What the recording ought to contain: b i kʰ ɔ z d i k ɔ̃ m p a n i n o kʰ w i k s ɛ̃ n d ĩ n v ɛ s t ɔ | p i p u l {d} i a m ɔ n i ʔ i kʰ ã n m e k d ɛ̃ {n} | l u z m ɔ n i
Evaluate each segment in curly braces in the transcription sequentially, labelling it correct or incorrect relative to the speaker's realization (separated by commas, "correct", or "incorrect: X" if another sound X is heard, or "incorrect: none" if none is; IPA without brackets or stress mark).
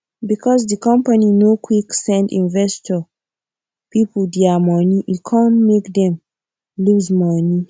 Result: correct, incorrect: m